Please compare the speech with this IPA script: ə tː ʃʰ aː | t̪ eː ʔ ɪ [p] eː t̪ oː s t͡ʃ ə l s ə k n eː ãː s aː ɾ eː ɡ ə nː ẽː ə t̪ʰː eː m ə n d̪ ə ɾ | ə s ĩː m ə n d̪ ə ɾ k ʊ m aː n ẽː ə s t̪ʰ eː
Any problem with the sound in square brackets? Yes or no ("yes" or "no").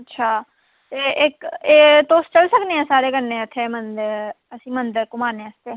yes